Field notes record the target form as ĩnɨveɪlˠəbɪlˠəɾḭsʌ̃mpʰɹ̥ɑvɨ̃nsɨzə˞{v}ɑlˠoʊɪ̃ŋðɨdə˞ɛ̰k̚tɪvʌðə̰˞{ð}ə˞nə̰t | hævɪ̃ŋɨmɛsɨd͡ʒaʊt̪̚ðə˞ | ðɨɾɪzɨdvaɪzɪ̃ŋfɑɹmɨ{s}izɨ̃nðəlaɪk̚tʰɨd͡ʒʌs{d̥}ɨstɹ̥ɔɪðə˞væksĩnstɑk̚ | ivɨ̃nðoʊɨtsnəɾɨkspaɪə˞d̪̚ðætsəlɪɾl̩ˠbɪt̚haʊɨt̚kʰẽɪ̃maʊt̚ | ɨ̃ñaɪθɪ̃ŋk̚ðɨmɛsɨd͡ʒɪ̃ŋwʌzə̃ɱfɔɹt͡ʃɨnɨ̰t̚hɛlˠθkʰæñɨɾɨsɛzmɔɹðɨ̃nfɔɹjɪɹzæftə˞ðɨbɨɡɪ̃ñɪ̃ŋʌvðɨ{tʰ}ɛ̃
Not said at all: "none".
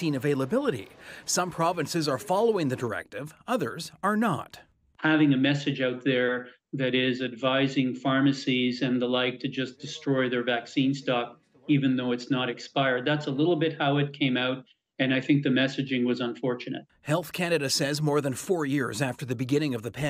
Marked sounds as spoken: f, z, s, d̥, pʰ

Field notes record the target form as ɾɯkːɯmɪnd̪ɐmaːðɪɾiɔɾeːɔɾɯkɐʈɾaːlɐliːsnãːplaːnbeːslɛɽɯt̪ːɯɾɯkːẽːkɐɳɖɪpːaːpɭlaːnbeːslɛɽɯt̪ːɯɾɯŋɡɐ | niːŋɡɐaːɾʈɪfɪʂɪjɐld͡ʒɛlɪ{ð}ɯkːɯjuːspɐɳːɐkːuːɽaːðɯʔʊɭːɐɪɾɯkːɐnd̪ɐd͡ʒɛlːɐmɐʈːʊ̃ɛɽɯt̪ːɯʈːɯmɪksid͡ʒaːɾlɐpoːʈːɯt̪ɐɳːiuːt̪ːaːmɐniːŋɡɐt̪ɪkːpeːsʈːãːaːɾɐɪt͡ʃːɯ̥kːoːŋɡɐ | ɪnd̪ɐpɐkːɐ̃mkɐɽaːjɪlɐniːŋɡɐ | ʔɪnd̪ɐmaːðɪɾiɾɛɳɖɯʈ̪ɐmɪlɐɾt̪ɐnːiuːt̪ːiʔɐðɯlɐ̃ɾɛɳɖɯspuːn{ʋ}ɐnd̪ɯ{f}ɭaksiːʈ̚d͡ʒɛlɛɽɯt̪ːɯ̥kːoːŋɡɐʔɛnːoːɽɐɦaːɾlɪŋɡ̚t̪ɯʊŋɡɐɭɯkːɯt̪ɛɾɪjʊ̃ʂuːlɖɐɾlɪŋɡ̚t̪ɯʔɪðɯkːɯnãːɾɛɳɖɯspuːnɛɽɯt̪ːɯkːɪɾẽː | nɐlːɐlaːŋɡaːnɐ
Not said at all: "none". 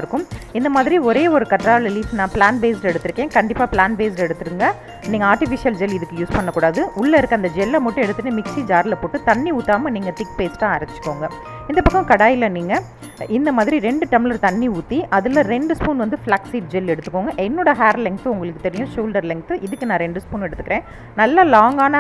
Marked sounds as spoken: ð, ʋ, f

